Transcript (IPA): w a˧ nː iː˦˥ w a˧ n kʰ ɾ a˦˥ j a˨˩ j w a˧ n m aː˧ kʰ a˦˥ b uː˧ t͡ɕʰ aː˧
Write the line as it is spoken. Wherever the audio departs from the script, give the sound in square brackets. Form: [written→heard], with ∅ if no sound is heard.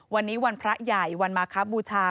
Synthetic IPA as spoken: w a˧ nː iː˦˥ w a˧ n [kʰ→pʰ] ɾ a˦˥ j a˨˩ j w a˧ n m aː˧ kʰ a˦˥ b uː˧ t͡ɕʰ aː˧